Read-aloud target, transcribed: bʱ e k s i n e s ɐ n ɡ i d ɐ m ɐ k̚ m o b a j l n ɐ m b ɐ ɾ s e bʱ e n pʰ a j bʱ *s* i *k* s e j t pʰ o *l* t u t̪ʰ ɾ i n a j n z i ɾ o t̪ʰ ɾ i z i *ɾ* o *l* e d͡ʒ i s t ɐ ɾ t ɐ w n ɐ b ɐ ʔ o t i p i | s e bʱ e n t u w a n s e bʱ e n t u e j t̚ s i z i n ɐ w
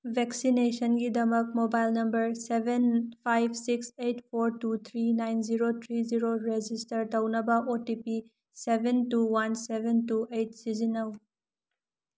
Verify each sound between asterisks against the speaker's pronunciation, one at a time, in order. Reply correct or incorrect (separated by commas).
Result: correct, correct, incorrect, correct, incorrect